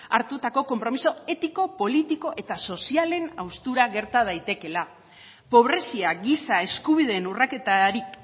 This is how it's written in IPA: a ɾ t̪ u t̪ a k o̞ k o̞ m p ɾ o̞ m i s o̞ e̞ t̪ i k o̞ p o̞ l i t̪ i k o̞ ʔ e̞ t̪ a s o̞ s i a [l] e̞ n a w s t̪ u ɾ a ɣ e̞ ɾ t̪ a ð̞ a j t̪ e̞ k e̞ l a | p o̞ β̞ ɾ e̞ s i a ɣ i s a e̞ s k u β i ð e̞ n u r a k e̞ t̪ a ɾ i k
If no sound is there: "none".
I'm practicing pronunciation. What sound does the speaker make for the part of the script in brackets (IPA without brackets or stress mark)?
l